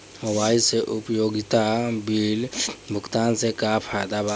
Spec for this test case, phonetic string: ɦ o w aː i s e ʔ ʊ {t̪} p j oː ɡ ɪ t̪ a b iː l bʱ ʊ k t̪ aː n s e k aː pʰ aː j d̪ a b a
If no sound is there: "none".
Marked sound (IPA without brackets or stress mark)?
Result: none